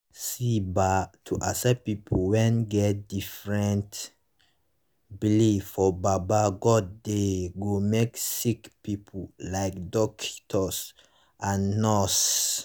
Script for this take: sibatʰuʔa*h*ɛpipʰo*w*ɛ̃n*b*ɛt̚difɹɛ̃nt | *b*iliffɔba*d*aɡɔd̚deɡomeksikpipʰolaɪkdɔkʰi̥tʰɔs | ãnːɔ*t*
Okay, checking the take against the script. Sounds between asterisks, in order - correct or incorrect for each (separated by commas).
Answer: incorrect, correct, incorrect, correct, incorrect, incorrect